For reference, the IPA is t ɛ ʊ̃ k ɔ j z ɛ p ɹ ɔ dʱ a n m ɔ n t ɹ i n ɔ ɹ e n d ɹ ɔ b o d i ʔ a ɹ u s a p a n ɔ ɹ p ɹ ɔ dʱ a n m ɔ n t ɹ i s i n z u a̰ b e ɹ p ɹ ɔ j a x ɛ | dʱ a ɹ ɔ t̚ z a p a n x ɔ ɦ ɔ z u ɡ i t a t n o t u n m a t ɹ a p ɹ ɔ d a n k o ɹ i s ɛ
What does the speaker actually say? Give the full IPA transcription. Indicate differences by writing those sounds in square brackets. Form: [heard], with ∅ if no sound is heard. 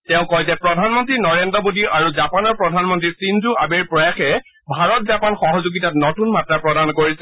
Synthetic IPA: t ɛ ʊ̃ k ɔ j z ɛ p ɹ ɔ dʱ a n m ɔ n t ɹ i n ɔ ɹ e n d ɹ ɔ b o d i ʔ a ɹ u [z] a p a n ɔ ɹ p ɹ ɔ dʱ a n m ɔ n t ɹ i s i n z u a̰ b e ɹ p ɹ ɔ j a x ɛ | [bʱ] a ɹ ɔ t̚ z a p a n x ɔ ɦ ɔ z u ɡ i t a t n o t u n m a t ɹ a p ɹ ɔ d a n k o ɹ i s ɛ

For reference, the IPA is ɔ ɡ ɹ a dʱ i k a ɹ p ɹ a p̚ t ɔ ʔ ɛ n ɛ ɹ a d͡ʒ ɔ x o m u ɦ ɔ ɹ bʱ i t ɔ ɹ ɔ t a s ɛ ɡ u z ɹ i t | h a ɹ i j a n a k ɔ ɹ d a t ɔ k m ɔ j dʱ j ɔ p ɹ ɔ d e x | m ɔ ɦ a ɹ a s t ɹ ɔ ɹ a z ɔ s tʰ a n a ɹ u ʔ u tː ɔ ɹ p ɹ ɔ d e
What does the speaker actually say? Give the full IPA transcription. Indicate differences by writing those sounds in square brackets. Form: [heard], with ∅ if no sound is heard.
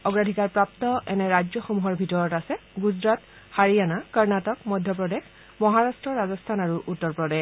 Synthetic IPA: ɔ ɡ ɹ a dʱ i k a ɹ p ɹ a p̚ t ɔ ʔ ɛ n ɛ ɹ a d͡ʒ ɔ x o m u ɦ ɔ ɹ bʱ i t ɔ ɹ ɔ t a s ɛ ɡ u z ɹ [a] t | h a ɹ i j a n a k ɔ ɹ [n] a t ɔ k m ɔ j dʱ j ɔ p ɹ ɔ d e x | m ɔ ɦ a ɹ a s t ɹ ɔ ɹ a z ɔ s tʰ a n a ɹ u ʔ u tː ɔ ɹ p ɹ ɔ d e

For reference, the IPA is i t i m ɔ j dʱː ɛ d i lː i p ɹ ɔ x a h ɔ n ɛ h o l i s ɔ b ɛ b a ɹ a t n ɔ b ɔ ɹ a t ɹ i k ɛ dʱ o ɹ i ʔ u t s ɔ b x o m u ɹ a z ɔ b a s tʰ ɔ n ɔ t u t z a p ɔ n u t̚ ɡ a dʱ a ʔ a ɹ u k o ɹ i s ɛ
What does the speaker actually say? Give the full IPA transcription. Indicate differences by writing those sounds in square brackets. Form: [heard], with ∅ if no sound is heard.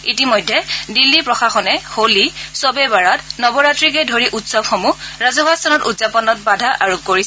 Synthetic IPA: i t i m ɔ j dʱː ɛ d i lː i p ɹ ɔ x a [x] ɔ n ɛ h o l i s ɔ b ɛ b a ɹ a t n ɔ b ɔ ɹ a t ɹ i k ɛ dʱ o ɹ i ʔ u t s ɔ b x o m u ɹ a z ɔ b a s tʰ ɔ n ɔ t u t z a p ɔ n [ɔ] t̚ [b] a dʱ a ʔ a ɹ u k o ɹ i s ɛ

